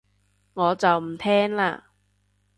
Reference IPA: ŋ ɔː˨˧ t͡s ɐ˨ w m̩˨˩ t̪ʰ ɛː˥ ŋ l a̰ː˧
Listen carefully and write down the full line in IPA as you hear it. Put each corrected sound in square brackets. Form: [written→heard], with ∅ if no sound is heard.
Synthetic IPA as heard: ŋ ɔː˨˧ t͡s ɐ˨ w m̩˨˩ t̪ʰ ɛː˥ ŋ l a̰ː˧